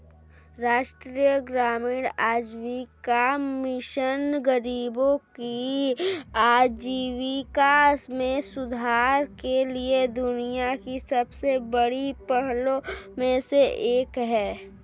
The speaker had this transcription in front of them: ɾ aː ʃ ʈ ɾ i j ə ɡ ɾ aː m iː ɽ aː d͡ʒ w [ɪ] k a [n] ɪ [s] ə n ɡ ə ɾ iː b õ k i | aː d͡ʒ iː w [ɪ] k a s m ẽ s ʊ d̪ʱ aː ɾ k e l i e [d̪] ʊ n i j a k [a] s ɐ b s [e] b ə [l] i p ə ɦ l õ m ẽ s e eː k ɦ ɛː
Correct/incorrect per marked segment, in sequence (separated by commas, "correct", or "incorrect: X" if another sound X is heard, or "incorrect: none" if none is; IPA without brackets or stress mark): incorrect: i, incorrect: m, incorrect: ʃ, incorrect: i, correct, incorrect: i, correct, incorrect: ɽ